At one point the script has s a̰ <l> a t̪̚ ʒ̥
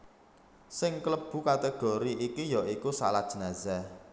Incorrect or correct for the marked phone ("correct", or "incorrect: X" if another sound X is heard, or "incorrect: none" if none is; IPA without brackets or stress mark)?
correct